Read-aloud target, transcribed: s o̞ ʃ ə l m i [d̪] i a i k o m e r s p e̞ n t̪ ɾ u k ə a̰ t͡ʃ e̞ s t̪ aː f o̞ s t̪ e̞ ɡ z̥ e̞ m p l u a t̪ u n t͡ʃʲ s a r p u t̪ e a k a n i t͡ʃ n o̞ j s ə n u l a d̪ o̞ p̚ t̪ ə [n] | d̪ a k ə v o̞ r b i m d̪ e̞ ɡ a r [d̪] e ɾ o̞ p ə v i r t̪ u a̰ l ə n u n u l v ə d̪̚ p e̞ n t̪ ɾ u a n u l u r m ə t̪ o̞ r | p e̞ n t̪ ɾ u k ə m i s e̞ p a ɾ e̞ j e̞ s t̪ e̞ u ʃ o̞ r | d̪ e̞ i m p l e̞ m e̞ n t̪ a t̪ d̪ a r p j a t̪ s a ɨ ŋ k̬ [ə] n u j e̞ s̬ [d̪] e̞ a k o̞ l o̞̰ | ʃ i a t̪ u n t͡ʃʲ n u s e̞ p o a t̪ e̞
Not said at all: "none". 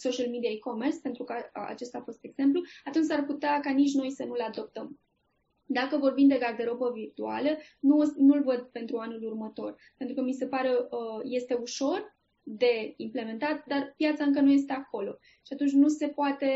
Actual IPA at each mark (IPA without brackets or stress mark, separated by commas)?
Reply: d̪, m, d̪, ə, t̪